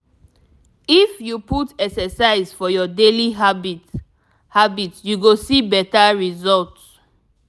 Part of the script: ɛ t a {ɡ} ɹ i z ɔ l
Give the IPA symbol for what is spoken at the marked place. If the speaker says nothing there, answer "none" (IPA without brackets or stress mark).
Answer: none